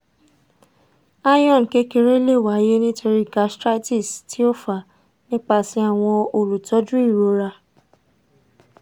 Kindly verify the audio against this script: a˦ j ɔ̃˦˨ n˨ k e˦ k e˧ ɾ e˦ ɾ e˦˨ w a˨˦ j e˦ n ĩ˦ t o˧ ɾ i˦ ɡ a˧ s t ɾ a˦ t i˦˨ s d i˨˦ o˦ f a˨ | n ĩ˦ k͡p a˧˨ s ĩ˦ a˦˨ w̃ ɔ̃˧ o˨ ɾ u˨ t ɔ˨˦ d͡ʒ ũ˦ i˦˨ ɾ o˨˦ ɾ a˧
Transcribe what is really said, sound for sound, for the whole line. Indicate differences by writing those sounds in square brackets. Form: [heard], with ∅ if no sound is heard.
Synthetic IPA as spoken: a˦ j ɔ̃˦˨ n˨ k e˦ k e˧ ɾ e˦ [l] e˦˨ w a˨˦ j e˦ n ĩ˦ t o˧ ɾ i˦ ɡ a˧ s t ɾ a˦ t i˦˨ s [t] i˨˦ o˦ f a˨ | n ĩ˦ k͡p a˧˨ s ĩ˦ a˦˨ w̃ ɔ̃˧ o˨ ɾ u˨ t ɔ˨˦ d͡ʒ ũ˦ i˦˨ ɾ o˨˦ ɾ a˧

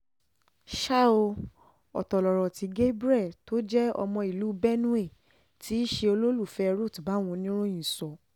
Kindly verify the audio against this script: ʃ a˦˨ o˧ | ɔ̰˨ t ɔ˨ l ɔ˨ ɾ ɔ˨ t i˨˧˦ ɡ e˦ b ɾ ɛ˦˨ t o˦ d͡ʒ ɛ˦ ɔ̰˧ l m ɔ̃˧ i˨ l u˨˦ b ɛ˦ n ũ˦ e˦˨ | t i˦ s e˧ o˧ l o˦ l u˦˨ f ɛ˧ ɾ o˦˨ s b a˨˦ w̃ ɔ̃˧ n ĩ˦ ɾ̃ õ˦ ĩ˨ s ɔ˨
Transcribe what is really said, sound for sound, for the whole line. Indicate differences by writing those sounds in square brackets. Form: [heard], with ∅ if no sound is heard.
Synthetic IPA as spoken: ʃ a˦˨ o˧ | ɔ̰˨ t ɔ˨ l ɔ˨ ɾ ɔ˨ t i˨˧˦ ɡ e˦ b ɾ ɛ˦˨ t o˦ d͡ʒ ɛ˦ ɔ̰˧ [∅] m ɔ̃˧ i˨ l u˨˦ b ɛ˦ n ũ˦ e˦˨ | t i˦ [ʃ] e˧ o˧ l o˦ l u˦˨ f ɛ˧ ɾ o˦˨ [t] b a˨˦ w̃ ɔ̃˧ n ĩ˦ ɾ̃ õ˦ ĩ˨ s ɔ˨

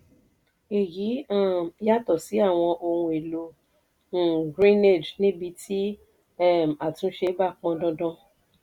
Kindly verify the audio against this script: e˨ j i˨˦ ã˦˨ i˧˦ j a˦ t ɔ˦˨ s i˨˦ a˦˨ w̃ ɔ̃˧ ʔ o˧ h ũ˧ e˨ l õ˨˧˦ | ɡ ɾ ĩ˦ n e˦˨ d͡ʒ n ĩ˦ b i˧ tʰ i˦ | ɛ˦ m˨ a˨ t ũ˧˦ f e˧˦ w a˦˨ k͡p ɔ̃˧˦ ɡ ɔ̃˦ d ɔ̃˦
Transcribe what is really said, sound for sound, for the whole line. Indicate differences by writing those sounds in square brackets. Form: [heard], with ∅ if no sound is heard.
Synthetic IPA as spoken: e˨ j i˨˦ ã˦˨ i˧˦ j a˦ t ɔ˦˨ s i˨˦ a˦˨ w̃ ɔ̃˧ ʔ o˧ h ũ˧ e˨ l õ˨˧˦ | ɡ ɾ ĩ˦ n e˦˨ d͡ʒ n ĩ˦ b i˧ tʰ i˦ | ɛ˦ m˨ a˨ t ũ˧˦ [ʃ] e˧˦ [b] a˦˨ k͡p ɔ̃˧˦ [d] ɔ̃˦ d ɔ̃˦

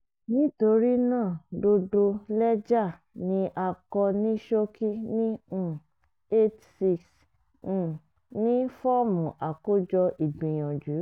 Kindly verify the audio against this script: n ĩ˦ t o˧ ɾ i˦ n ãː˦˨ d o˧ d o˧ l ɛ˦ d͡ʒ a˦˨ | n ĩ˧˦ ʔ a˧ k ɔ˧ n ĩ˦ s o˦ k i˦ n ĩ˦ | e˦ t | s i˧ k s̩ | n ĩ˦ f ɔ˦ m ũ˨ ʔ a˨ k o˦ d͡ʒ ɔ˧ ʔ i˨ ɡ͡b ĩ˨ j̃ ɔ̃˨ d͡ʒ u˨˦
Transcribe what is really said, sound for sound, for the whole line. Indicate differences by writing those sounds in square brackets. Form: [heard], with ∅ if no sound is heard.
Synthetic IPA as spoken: n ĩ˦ t o˧ ɾ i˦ n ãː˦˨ d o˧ d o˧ l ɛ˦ d͡ʒ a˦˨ | n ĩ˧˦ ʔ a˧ k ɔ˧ n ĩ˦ [ʃ] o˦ k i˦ n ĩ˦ | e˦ t | s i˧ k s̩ | n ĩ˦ f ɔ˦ m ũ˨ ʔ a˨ k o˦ d͡ʒ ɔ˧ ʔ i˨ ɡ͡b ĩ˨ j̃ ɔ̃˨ d͡ʒ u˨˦

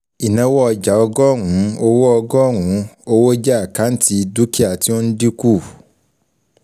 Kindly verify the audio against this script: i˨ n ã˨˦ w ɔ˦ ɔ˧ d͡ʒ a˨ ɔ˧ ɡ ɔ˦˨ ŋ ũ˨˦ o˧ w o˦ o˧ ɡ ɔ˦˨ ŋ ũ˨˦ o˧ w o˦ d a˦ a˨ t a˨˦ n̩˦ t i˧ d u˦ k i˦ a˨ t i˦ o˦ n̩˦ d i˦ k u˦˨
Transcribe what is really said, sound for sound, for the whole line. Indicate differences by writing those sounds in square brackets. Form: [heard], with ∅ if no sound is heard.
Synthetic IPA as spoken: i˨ n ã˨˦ w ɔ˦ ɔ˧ d͡ʒ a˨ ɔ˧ ɡ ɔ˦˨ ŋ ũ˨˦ o˧ w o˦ [ɔ˧] ɡ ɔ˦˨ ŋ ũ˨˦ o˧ w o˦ [d͡ʒ] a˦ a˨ [k] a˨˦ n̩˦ t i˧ d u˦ k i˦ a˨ t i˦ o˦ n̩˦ d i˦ k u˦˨

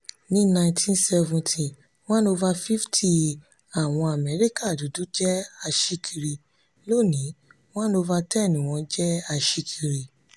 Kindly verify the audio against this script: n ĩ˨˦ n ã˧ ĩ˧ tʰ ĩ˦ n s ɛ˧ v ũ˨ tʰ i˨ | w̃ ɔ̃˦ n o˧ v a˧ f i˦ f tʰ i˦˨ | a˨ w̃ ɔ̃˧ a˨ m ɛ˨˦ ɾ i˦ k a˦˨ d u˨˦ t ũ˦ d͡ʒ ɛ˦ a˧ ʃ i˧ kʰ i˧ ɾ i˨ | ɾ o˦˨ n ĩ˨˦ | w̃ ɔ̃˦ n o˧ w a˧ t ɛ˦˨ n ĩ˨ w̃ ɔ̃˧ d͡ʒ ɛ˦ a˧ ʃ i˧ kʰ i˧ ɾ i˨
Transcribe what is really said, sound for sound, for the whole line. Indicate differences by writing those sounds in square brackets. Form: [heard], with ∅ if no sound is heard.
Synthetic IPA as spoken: n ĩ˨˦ n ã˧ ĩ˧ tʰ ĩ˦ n s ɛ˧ v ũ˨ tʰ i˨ | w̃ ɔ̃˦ n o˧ v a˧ f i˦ f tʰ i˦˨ | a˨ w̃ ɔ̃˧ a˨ m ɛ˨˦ ɾ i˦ k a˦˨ d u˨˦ [d] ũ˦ d͡ʒ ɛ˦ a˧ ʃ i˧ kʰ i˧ ɾ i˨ | [l] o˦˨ n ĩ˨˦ | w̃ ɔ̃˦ n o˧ [v] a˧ t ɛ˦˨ n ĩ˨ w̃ ɔ̃˧ d͡ʒ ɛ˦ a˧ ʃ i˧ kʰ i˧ ɾ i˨

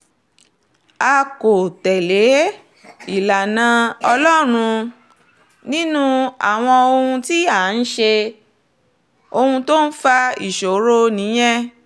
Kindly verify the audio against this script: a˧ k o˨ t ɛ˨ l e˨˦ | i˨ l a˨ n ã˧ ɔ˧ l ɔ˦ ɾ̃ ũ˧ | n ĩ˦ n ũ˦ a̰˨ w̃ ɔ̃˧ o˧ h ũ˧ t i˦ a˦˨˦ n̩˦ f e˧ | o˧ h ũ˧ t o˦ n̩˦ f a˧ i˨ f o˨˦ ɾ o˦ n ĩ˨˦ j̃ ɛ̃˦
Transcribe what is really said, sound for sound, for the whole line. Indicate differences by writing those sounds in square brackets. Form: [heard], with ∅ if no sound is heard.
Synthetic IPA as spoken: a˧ k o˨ t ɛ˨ l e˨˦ | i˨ l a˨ n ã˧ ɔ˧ l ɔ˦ ɾ̃ ũ˧ | n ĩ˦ n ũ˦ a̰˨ w̃ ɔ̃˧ o˧ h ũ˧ t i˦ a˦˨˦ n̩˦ [ʃ] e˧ | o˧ h ũ˧ t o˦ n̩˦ f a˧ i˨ [ʃ] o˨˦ ɾ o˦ n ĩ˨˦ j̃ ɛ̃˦

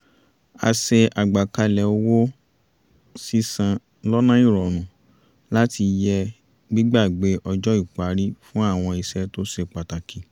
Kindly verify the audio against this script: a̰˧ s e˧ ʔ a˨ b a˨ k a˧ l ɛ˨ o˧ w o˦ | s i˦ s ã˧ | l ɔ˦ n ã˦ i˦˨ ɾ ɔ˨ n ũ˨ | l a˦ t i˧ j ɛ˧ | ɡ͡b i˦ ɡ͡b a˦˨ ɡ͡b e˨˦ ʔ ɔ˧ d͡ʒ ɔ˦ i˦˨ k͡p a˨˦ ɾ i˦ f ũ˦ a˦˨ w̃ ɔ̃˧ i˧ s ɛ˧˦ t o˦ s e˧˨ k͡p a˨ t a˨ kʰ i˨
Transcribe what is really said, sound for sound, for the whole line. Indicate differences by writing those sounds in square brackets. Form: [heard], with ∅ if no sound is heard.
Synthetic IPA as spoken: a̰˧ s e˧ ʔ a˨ [ɡ͡b] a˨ k a˧ l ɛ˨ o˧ w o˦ | s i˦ s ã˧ | l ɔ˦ n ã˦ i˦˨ ɾ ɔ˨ n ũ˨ | l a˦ t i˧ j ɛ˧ | ɡ͡b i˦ ɡ͡b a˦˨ ɡ͡b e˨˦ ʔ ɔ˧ d͡ʒ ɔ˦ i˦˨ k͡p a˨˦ ɾ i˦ f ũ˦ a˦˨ w̃ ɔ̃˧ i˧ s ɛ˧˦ t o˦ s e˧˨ k͡p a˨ t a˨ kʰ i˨

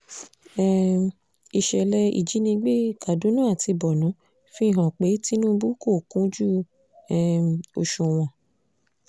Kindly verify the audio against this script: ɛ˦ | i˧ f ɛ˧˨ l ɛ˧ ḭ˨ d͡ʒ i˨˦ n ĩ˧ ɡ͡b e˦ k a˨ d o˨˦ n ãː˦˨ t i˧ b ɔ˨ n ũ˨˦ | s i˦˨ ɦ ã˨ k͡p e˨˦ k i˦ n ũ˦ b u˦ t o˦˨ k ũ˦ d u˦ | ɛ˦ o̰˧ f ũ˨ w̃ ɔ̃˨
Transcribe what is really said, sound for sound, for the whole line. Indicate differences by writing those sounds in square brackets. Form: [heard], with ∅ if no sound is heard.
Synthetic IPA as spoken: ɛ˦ | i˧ [ʃ] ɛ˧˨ l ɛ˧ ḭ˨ d͡ʒ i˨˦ n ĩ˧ ɡ͡b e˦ k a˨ d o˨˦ n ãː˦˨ t i˧ b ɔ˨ n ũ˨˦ | [f] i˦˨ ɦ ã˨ k͡p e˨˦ [t] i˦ n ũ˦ b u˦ [k] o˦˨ k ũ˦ [d͡ʒ] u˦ | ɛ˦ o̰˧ [ʃ] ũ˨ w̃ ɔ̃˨

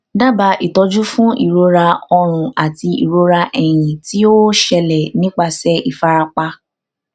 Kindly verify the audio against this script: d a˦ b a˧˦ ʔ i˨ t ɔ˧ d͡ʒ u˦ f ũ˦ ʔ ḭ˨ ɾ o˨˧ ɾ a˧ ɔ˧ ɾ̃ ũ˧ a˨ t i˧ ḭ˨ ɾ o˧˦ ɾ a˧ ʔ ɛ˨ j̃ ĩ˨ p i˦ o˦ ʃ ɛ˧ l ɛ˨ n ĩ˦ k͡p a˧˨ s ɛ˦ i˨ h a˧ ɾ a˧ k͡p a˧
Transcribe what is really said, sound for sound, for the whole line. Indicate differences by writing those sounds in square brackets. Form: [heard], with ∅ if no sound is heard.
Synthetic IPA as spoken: d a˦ b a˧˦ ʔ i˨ t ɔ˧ d͡ʒ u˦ f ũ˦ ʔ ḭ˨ ɾ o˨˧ ɾ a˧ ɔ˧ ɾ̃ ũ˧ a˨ t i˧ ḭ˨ ɾ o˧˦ ɾ a˧ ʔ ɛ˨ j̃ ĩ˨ [t] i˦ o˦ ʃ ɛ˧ l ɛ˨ n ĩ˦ k͡p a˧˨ s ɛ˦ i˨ [f] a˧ ɾ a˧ k͡p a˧

